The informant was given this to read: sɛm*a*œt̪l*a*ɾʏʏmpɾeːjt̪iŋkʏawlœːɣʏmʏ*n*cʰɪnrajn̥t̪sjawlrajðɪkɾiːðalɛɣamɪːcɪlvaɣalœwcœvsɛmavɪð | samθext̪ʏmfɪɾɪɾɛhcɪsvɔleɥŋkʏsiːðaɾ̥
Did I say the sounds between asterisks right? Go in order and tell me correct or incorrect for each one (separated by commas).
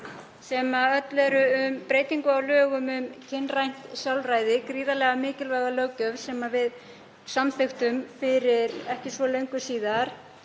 correct, incorrect, incorrect